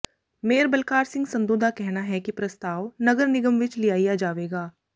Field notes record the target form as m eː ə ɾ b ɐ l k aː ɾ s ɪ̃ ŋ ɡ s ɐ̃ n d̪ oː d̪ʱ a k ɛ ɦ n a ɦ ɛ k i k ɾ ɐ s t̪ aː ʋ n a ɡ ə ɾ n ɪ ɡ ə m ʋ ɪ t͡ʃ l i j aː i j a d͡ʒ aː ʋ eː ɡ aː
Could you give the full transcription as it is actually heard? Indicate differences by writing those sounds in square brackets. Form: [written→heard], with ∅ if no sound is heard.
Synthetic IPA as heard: m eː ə ɾ b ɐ l k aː ɾ s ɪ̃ ŋ ɡ s ɐ̃ n d̪ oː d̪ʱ a k ɛ ɦ n a ɦ ɛ k i [k→p] ɾ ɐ s t̪ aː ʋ n [a→ɐ] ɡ ə ɾ n ɪ ɡ ə m ʋ ɪ t͡ʃ l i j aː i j a d͡ʒ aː ʋ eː ɡ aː